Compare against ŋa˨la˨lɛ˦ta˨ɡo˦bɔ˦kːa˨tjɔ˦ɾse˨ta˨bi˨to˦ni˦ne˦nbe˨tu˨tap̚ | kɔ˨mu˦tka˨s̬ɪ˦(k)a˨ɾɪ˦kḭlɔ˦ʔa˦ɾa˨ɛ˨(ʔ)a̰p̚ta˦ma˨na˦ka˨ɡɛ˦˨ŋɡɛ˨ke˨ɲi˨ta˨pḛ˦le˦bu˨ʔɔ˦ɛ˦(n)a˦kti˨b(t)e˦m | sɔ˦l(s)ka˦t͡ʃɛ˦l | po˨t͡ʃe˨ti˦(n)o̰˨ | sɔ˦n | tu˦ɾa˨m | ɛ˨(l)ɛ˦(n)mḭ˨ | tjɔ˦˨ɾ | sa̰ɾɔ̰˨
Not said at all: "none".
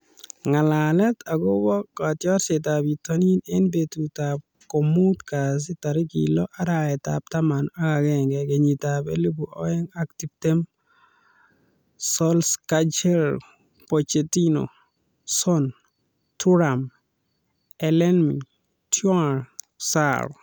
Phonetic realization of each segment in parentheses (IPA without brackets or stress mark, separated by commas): t, t, ŋ, t, s, n, l, n